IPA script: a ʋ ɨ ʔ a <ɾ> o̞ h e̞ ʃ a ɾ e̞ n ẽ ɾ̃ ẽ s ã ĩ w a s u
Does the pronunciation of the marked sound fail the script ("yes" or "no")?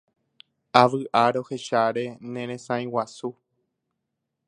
no